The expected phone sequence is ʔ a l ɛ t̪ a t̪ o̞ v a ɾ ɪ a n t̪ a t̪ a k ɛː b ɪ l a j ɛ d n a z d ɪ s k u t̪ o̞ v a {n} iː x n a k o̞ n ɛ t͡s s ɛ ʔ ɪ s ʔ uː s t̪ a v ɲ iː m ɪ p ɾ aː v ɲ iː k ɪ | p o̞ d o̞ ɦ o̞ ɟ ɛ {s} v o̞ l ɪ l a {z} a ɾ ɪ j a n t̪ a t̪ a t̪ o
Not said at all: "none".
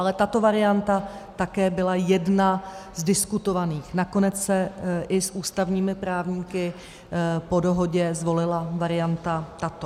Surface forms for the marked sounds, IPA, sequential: n, z, v

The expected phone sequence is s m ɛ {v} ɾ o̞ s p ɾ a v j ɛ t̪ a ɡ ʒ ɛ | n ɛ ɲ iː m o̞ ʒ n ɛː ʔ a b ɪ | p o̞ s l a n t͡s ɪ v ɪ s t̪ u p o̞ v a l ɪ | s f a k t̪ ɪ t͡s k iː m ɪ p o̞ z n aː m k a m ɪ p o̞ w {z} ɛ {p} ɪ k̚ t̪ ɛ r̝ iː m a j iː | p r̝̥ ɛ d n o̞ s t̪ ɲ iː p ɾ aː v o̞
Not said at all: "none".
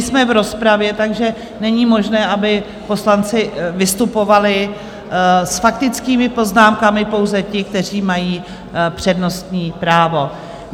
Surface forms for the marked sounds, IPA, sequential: v, z, c

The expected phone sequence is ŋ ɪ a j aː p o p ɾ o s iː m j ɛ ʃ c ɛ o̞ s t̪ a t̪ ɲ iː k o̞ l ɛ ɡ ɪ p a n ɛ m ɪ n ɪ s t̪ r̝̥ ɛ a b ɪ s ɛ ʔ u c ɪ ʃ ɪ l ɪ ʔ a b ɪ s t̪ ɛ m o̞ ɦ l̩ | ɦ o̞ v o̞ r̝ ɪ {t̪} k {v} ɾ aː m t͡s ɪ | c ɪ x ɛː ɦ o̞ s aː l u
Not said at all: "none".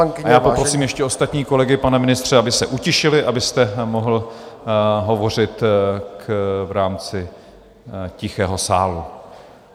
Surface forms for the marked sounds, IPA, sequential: t̪, v

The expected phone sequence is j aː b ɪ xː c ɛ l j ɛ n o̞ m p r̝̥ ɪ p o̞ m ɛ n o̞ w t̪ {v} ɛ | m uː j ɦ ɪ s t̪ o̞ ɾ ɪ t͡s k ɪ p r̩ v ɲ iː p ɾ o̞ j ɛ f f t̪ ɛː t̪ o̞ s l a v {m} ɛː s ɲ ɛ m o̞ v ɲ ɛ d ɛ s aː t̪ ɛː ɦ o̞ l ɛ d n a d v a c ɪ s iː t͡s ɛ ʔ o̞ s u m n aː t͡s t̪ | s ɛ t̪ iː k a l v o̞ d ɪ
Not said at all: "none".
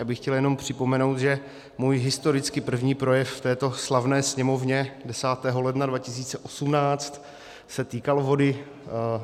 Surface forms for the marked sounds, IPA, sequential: ʒ, n

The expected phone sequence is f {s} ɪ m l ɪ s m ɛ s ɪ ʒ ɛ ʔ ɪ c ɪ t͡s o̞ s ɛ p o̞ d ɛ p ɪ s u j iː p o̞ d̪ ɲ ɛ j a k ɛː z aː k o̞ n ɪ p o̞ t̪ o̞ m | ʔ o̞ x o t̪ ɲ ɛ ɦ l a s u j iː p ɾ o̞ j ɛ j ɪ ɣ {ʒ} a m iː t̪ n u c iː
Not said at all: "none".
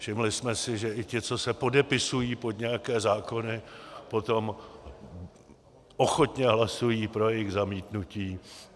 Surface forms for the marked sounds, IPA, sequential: ʃ, z

